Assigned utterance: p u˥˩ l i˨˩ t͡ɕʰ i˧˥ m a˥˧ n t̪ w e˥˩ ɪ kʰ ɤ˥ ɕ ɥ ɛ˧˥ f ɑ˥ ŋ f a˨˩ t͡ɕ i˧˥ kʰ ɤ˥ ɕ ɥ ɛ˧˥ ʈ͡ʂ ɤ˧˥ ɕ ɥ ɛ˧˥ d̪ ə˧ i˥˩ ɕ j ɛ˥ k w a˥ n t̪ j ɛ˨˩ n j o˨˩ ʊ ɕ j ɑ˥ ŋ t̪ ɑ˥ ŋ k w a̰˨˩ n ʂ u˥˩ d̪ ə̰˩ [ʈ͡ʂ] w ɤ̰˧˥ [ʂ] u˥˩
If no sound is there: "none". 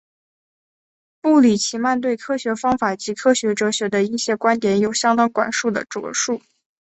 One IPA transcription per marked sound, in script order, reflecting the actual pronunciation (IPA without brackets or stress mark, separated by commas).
ʈ͡ʂ, ʂ